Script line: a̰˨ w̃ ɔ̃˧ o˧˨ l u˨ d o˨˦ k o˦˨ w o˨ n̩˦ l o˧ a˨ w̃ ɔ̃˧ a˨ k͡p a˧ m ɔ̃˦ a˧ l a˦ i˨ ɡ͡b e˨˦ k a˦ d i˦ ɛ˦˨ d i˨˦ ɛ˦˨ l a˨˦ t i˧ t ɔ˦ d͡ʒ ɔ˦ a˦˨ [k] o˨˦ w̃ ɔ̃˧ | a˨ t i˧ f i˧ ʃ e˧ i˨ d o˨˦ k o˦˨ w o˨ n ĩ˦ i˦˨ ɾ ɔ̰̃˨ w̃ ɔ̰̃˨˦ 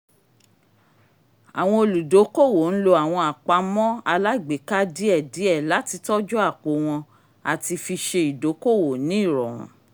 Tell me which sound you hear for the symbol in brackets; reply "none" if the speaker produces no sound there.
k͡p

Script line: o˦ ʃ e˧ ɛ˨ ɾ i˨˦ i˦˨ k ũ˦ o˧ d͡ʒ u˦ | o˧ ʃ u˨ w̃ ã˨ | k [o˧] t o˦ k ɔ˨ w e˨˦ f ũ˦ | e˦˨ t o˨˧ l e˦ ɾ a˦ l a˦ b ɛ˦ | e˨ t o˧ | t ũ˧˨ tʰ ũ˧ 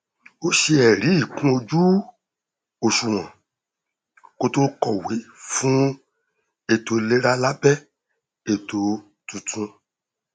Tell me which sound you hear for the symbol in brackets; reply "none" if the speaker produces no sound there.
o˧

